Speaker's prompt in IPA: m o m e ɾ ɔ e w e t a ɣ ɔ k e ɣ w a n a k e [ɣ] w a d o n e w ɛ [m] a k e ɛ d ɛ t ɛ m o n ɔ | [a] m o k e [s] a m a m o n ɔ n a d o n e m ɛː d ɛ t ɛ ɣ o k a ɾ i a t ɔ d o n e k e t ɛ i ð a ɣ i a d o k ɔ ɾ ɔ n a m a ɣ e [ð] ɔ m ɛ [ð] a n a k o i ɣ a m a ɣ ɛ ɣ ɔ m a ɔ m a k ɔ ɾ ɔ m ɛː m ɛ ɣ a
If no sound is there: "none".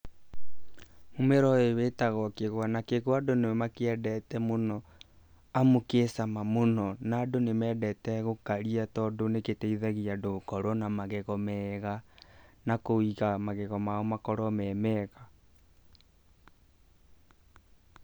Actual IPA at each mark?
ɣ, m, a, s, ɣ, ɣ

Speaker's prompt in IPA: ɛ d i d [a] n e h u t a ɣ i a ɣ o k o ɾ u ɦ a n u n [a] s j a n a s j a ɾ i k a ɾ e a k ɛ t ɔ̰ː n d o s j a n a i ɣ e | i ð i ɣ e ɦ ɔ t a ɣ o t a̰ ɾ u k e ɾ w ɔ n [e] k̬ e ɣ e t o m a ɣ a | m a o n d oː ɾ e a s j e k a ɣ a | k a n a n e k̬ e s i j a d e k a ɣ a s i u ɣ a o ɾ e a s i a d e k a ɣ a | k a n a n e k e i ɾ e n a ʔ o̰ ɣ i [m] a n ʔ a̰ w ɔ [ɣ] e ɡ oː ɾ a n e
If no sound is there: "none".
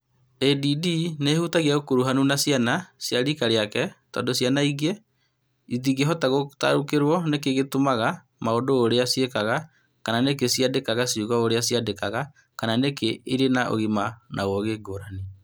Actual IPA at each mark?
i, a, e, m, ɣ

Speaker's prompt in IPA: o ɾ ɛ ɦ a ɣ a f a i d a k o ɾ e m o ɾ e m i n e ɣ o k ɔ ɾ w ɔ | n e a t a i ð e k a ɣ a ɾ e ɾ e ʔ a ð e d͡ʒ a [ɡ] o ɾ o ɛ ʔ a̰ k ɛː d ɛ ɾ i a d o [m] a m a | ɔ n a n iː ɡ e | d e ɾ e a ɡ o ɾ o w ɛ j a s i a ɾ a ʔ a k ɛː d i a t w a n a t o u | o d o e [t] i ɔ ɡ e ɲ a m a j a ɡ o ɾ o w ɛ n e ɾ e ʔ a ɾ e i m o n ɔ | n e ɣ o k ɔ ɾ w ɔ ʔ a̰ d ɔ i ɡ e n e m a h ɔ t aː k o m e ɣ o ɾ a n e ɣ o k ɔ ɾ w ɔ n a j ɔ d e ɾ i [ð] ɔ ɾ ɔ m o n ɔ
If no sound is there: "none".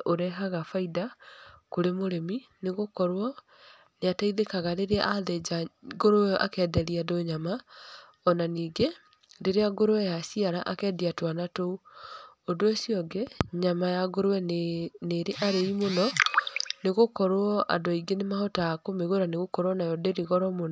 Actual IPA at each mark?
ɡ, ɲ, s, ɣ

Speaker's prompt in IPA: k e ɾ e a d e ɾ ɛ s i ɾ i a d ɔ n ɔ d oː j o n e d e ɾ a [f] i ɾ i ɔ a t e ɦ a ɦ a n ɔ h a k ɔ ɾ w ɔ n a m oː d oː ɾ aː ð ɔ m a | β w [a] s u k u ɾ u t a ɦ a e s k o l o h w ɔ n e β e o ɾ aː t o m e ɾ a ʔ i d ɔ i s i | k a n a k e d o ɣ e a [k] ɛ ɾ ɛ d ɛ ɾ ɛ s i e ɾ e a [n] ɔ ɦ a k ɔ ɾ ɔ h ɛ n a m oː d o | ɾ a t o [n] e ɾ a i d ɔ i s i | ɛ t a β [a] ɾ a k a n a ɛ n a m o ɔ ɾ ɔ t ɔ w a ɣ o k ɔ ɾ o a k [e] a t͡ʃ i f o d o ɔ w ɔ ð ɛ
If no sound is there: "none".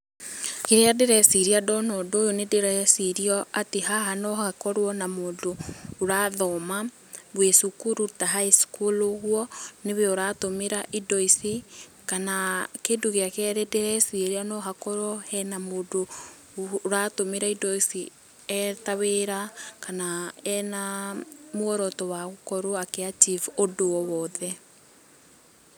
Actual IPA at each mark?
s, e, k, n, m, e, e

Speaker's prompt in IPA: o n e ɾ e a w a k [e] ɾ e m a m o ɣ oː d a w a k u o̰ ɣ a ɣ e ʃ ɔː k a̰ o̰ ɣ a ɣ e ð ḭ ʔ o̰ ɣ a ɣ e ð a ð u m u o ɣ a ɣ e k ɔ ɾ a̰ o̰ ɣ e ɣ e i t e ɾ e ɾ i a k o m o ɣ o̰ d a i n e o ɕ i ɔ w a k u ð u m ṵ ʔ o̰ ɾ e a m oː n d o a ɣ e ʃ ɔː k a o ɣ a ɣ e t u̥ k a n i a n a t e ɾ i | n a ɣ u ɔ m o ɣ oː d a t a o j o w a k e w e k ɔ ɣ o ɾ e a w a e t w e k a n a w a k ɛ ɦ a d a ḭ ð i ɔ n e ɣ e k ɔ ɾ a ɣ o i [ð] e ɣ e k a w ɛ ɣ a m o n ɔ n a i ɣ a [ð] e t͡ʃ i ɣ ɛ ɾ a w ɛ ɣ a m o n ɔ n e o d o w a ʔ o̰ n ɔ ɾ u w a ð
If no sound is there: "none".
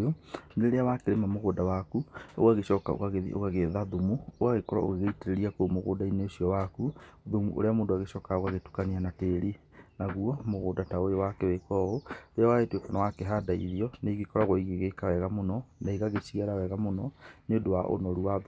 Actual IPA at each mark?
e, ɣ, ɣ

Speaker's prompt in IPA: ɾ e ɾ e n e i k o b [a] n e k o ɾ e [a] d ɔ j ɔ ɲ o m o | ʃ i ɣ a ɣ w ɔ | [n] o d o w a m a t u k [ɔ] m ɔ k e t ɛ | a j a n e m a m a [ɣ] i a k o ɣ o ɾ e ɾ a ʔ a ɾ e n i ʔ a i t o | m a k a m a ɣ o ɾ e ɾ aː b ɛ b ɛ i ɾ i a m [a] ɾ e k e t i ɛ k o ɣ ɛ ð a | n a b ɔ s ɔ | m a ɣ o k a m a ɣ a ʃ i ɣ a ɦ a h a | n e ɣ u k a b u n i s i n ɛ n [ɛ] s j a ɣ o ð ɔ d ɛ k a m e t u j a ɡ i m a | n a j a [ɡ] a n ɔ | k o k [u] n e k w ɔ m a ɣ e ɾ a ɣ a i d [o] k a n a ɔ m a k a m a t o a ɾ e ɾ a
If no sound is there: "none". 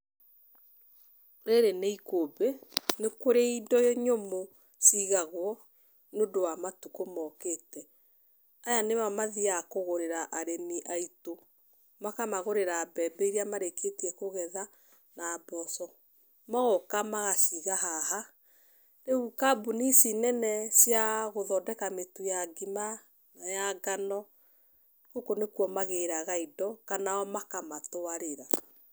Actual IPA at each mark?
e, i, n, o, ð, a, ɛ, ɡ, o, ɔ

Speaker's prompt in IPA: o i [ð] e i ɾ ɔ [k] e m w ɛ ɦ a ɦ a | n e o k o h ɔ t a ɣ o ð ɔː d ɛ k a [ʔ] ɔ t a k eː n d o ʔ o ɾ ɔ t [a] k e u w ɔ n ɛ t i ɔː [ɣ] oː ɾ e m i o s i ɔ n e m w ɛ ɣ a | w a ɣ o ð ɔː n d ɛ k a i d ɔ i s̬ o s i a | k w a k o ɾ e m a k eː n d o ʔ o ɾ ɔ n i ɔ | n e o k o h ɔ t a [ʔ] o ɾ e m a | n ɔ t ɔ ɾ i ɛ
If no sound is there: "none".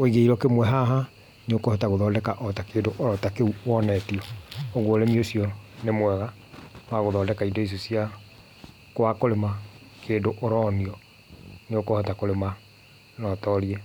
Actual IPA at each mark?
ɣ, k, ʔ, a, ɣ, k

